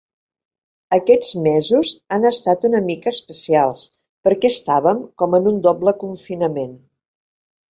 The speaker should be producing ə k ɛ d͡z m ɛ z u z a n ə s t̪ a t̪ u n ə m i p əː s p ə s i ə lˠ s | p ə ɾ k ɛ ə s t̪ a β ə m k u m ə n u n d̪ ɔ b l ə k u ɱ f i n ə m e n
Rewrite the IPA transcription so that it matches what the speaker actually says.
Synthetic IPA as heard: ə k ɛ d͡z m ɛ z u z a n ə s t̪ a t̪ u n ə m i k əː s p ə s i a lˠ s | p ə ɾ k ɛ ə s t̪ a β ə m k ɔ m ə n u n d̪ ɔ b l ə k u ɱ f i n ə m e n